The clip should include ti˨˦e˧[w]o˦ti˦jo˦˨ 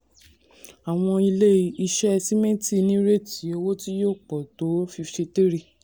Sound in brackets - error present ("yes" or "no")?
no